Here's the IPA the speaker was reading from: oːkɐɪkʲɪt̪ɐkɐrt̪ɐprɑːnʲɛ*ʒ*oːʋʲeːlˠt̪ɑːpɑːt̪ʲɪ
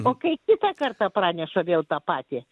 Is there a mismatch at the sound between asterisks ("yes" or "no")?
yes